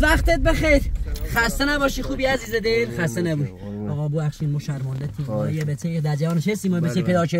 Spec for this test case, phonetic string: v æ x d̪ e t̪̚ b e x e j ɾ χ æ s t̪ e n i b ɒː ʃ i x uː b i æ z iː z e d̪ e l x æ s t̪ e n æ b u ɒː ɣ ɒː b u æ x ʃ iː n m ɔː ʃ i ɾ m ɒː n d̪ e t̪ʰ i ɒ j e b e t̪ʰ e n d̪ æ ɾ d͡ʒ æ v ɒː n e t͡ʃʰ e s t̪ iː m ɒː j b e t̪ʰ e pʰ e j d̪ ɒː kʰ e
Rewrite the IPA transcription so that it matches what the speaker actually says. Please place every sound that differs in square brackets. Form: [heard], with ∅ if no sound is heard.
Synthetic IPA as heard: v æ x [t̪] e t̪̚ b e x e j ɾ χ æ s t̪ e n [æ] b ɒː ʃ i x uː b i æ z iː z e d̪ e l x æ s t̪ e n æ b u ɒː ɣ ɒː b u æ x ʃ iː n m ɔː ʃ [æ] ɾ m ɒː n d̪ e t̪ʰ i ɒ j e b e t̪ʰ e [∅] d̪ æ ɾ d͡ʒ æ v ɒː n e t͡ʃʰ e s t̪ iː m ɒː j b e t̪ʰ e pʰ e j d̪ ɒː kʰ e